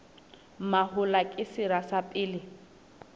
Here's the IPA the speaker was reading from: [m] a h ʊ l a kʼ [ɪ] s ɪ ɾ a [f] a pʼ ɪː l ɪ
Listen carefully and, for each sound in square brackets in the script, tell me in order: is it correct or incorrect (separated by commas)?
correct, correct, incorrect